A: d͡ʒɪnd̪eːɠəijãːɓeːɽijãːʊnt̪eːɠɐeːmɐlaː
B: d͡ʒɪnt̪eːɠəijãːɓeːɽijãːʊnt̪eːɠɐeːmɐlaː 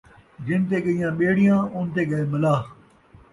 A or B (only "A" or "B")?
B